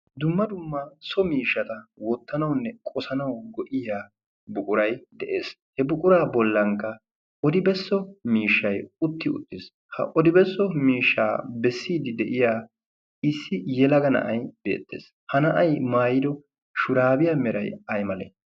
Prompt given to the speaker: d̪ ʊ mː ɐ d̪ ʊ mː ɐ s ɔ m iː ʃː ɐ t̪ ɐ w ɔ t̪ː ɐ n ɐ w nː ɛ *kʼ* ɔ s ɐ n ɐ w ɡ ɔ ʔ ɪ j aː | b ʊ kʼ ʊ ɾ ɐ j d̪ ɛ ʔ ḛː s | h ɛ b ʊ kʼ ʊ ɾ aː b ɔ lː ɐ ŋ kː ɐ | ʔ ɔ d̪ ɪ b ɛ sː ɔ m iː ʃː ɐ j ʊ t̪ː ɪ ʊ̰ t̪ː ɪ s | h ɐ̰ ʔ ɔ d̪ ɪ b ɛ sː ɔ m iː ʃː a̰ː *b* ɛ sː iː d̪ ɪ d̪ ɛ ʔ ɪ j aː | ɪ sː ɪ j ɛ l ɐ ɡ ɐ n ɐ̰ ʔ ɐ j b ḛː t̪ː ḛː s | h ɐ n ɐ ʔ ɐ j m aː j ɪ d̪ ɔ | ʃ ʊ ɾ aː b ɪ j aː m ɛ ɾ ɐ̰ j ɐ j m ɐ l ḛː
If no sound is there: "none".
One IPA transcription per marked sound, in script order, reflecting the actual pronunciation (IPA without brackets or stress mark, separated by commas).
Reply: kʼ, b